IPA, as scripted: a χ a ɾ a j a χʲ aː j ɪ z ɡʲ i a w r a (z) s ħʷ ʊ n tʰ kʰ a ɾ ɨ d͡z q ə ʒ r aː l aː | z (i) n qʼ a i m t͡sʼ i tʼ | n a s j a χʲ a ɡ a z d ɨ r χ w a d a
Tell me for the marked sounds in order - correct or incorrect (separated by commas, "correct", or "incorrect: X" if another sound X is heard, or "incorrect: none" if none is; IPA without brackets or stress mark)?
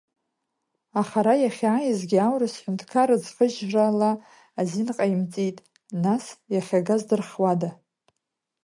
incorrect: none, correct